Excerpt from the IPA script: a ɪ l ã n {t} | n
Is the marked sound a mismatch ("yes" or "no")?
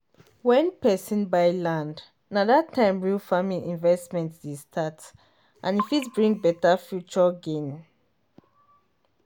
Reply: yes